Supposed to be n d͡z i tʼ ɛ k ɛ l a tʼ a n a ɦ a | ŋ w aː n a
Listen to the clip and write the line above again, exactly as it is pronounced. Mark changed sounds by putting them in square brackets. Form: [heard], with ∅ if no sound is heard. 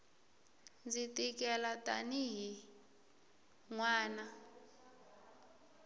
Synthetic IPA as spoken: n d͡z i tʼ [i] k ɛ l a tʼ a n [i] ɦ [i] | ŋ w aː n a

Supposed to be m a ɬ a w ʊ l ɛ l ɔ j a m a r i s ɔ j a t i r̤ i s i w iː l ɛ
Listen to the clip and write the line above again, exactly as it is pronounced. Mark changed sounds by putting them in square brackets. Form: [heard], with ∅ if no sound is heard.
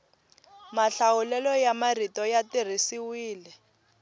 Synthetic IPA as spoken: m a ɬ a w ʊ l ɛ l ɔ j a m a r i [t] ɔ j a t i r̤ i s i w iː l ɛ

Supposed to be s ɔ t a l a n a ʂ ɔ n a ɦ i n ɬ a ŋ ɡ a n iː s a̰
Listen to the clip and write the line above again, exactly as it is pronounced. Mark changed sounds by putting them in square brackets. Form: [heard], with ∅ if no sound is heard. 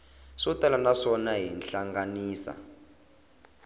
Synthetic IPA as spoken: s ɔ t a l a n a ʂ ɔ n a ɦ i n ɬ a ŋ ɡ a n iː s a̰

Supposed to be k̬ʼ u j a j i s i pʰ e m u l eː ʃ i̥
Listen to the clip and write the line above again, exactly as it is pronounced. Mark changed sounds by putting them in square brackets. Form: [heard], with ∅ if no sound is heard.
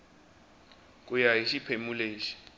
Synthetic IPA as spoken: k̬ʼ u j a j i [ʃ] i pʰ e m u l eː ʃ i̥

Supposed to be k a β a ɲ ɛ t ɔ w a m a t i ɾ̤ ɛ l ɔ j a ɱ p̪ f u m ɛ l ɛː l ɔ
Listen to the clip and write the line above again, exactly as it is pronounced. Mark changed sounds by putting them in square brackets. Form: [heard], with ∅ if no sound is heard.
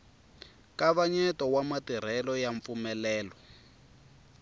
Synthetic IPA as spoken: k a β a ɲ ɛ t ɔ w a m a t i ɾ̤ ɛ l ɔ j a ɱ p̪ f u m ɛ l ɛː l ɔ

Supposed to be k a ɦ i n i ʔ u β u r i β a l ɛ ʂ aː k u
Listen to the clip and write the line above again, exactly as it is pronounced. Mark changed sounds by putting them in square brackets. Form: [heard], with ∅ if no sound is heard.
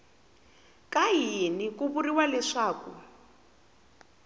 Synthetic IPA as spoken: k a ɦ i n i [k] u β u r i [w] a l ɛ ʂ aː k u

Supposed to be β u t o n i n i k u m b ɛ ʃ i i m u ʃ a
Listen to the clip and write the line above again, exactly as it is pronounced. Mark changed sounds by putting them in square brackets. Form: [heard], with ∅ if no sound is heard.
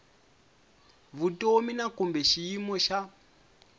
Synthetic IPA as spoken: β u t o [m] i n [a] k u m b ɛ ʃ i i m [ɔ] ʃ a

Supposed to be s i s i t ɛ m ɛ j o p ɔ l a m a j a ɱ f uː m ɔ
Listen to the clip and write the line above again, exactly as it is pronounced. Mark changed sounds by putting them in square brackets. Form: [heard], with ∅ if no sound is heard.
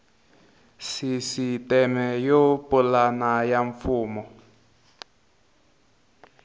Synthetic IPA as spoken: s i s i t ɛ m ɛ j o p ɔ l a [n] a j a ɱ f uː m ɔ

